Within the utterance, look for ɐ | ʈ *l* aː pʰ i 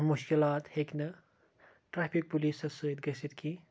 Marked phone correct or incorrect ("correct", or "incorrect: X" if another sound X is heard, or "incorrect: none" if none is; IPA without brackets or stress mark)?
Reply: incorrect: ɾ